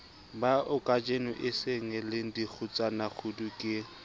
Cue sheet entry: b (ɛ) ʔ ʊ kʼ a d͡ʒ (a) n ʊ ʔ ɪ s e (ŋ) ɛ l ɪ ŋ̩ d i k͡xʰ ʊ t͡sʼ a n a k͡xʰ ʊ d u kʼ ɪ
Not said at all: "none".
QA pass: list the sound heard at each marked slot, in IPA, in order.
a, e, ŋ

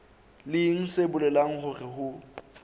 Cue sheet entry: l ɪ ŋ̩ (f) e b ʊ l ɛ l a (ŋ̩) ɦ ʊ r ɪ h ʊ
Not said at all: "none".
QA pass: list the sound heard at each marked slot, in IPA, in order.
s, ŋ̩

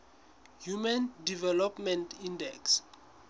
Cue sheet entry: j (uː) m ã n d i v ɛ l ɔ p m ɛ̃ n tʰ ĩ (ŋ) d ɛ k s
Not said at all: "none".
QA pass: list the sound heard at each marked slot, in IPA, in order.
u, n

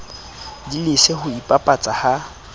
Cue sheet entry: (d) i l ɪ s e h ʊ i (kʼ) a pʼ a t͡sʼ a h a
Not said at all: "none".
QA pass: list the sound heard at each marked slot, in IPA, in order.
d, pʼ

